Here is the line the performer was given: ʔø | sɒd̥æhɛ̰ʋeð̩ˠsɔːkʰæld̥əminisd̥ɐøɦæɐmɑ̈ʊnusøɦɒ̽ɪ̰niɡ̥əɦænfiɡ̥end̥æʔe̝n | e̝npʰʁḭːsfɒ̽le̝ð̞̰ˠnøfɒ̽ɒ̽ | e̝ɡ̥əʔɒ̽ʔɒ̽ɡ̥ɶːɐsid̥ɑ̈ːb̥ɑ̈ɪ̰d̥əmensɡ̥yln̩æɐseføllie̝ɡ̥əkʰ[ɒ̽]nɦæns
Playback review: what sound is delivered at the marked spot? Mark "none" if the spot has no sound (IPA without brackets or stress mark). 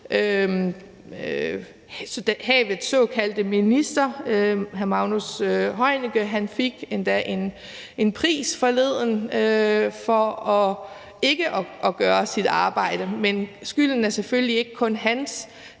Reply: ɔ̽